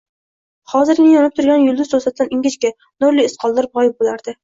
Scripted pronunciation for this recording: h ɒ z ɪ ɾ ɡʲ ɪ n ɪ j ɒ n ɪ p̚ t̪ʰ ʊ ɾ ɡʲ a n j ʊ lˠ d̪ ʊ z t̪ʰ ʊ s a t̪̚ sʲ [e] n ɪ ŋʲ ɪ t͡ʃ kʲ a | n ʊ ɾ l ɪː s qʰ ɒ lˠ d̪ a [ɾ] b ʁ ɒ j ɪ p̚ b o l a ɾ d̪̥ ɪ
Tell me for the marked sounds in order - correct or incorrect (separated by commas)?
incorrect, correct